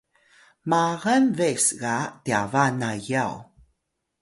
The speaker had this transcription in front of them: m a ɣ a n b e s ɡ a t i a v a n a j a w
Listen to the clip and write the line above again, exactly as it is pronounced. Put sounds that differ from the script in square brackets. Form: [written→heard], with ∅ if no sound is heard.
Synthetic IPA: m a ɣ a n [b→v] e s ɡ a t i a v a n a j a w